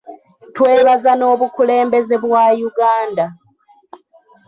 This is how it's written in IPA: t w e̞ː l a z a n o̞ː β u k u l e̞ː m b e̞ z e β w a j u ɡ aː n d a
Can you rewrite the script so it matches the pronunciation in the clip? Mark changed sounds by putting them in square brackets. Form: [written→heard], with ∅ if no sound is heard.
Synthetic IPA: t w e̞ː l a z a n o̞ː β u k u l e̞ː m b e̞ z e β w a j u ɡ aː n d a

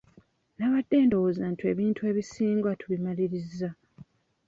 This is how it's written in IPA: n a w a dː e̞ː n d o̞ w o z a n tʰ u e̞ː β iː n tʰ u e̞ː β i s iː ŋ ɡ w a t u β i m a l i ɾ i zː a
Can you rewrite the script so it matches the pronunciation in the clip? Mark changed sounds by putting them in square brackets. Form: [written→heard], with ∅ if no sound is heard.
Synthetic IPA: n a [w→β] a dː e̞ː n d o̞ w o z a n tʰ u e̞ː β iː n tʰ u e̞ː β i s iː ŋ ɡ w a t u β i m a l i ɾ i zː a

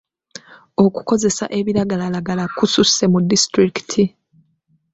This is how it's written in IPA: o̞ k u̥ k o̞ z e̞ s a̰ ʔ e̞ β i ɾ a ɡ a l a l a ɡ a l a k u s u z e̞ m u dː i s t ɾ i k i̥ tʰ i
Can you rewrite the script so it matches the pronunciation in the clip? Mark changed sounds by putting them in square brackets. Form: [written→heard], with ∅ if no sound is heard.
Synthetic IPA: o̞ k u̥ k o̞ z e̞ s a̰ ʔ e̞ β i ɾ a ɡ a l a l a ɡ a l a k u s u [z→s] e̞ m u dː i s t ɾ i k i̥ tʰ i

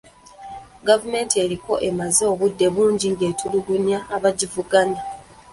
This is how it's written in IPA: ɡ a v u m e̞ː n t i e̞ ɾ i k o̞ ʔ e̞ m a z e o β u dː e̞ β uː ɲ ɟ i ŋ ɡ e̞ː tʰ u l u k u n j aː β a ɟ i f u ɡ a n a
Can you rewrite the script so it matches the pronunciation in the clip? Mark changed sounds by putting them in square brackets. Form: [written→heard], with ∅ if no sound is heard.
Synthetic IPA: ɡ a v u m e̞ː n t i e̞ ɾ i k o̞ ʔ e̞ m a z e o β u dː e̞ β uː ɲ ɟ i ŋ ɡ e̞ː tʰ u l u [k→ɡ] u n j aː β a ɟ i [f→v] u ɡ a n a

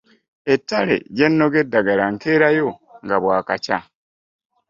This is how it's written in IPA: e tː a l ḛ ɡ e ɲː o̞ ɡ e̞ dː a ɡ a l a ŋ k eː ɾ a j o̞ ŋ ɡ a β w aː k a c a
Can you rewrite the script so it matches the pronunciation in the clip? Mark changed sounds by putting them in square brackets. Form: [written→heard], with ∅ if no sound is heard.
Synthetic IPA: e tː a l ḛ [ɡ→ɟ] e [ɲː→nː] o̞ ɡ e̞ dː a ɡ a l a ŋ k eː ɾ a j o̞ ŋ ɡ a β w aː k a c a

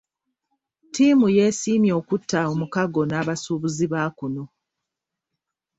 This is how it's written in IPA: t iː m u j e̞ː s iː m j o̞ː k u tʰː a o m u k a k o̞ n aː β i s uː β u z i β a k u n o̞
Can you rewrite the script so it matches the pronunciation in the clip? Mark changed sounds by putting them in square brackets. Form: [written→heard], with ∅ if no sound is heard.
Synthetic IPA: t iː m u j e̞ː s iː m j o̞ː k u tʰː a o m u k a [k→ɡ] o̞ n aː β [i→a] s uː β u z i β a k u n o̞

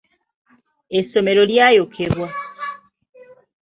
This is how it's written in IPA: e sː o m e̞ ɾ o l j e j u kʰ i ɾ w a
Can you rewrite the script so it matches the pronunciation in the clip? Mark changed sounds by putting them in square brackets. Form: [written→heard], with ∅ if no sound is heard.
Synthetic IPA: e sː o m e̞ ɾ o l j [e→a] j [u→o] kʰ [i→e] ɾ w a

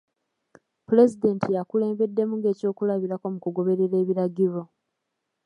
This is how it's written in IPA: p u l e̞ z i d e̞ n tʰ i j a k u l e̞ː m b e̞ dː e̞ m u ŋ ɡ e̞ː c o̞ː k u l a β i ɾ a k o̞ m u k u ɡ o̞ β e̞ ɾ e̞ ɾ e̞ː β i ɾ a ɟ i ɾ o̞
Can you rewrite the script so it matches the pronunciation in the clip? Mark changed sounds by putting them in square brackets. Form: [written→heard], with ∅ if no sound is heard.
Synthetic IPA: p u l e̞ z i d e̞ n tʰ i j a k u l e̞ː m b e̞ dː e̞ m u ŋ ɡ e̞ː c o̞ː k u l a β i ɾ a k o̞ m u k u ɡ o̞ β e̞ ɾ e̞ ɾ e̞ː β i ɾ a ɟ i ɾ o̞

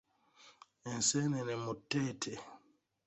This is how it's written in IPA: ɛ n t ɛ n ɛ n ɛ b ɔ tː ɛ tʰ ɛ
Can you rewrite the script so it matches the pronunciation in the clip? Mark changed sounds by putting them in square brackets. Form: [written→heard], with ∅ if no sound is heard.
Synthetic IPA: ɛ n [t→s] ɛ n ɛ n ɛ [b→m] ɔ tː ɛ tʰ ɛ

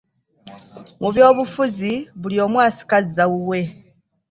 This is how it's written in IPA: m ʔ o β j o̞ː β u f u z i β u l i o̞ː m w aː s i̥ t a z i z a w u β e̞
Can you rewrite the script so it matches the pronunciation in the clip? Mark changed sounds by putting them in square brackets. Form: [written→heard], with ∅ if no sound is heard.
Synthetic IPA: m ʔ [o→u] β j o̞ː β u f u z i β u l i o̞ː m w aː s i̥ [t→k] a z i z a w u [β→w] e̞

